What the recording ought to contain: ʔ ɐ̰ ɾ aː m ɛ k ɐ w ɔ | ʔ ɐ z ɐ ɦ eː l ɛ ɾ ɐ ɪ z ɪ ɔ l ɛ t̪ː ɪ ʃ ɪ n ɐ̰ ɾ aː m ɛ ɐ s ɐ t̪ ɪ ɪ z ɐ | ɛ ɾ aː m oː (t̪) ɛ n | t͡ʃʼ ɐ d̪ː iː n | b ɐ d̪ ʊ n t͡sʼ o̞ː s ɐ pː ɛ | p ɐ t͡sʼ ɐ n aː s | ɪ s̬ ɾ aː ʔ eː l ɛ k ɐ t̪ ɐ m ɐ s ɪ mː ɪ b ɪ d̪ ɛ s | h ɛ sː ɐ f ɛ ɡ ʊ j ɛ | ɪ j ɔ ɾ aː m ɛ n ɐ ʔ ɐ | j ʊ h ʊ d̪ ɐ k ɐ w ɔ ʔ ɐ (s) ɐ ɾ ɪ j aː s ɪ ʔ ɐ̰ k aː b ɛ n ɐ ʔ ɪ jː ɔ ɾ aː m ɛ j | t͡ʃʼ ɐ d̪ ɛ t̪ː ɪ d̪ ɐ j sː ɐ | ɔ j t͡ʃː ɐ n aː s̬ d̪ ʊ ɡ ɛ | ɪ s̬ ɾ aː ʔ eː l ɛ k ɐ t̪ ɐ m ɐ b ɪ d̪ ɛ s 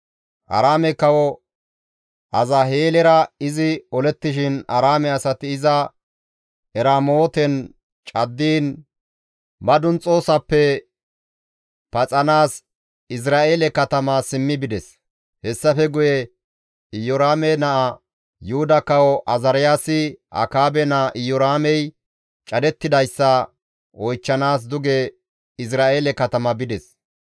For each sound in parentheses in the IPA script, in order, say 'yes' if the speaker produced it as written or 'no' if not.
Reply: yes, no

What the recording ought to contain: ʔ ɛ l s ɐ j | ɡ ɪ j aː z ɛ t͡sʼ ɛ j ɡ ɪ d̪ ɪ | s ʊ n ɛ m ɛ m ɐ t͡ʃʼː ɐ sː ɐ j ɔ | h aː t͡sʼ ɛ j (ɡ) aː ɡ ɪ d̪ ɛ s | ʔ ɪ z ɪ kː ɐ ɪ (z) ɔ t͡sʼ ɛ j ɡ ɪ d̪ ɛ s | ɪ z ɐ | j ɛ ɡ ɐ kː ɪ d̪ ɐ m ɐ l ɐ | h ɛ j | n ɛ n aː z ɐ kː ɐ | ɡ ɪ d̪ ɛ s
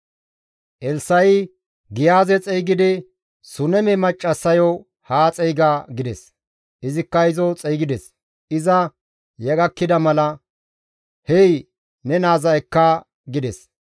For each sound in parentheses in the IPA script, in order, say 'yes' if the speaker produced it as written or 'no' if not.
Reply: yes, yes

